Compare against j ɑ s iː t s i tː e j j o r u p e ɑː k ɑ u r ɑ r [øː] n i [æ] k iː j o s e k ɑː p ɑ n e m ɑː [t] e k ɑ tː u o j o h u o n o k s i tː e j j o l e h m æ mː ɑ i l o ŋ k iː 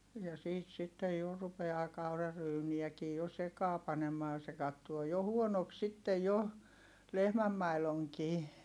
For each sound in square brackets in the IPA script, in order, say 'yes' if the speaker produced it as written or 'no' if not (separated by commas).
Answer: no, yes, no